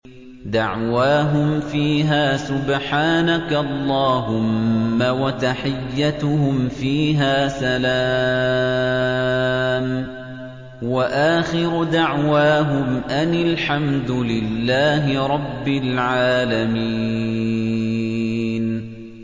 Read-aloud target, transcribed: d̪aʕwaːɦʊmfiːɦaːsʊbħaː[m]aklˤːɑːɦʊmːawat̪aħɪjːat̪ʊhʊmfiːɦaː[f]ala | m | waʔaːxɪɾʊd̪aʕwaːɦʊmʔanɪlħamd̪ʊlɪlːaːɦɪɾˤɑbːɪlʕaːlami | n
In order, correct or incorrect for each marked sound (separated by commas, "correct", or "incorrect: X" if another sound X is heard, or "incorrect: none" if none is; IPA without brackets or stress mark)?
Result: incorrect: n, incorrect: s